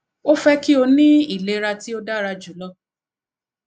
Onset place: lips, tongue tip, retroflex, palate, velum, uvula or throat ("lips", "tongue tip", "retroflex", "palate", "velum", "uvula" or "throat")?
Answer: lips